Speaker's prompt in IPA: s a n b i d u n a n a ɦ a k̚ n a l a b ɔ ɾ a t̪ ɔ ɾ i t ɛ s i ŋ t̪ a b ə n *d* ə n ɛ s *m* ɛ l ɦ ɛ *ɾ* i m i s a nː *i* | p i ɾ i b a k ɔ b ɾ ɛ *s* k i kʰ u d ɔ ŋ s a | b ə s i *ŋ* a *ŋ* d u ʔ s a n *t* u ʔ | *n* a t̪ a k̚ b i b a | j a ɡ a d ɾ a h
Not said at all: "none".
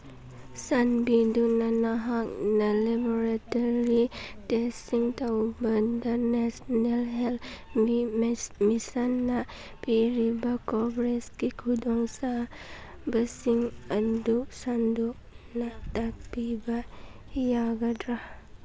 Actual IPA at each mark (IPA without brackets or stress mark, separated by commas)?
d, n, l, a, s, ŋ, n, d, n